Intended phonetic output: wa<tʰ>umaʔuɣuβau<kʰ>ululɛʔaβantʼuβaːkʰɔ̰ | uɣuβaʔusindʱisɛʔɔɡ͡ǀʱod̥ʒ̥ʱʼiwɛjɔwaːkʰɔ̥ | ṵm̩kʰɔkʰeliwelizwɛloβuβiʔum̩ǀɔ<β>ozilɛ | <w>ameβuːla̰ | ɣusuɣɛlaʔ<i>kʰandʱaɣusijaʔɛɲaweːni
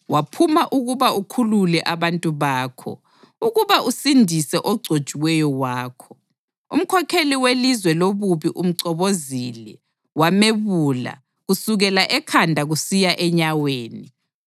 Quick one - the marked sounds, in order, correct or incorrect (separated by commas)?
incorrect, correct, correct, correct, incorrect